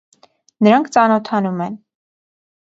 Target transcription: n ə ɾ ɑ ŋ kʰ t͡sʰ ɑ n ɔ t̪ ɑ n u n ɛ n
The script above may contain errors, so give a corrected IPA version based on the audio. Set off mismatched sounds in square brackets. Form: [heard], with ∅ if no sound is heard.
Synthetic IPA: n ə ɾ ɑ ŋ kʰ [t͡s] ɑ n ɔ [t̪ʰ] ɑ n u [m] ɛ n